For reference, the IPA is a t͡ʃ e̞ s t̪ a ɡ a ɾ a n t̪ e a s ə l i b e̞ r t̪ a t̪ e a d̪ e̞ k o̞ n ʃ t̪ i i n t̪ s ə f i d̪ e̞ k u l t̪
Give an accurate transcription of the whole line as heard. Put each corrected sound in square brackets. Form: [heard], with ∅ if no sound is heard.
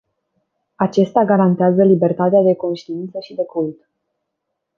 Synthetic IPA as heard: a t͡ʃ e̞ s t̪ a ɡ a ɾ a n t̪ e a [z] ə l i b e̞ r t̪ a t̪ e a d̪ e̞ k o̞ n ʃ t̪ i i n t̪ s ə [ʃ] i d̪ e̞ k u l t̪